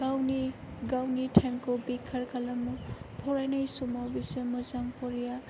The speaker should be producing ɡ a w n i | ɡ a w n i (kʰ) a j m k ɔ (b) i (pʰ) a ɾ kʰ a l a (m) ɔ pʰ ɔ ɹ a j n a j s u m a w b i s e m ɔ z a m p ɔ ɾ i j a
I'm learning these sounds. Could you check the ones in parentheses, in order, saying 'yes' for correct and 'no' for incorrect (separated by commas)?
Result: no, yes, no, yes